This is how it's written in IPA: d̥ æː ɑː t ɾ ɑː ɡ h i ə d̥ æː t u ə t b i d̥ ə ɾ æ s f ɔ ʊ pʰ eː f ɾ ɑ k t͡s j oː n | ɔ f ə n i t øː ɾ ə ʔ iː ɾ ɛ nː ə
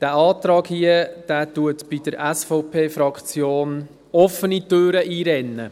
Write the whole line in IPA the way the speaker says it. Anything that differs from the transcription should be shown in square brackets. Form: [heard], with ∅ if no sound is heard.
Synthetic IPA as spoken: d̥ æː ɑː t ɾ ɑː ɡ h i ə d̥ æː t u ə t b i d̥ ə ɾ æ s f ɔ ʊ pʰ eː f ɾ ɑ k t͡s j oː n | ɔ f ə n i t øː ɾ ə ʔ iː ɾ ɛ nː ə